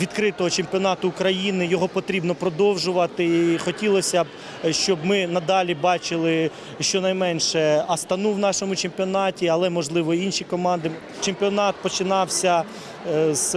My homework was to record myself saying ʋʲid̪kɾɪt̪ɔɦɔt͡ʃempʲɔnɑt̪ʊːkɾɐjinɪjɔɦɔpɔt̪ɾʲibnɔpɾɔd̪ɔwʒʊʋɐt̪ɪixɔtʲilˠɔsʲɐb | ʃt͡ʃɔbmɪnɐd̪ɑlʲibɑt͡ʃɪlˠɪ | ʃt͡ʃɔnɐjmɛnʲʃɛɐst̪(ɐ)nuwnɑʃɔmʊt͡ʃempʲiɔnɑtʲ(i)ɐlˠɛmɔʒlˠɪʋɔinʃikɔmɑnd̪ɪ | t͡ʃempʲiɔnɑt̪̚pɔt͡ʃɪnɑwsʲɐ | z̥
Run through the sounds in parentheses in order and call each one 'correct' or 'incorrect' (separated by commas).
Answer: correct, correct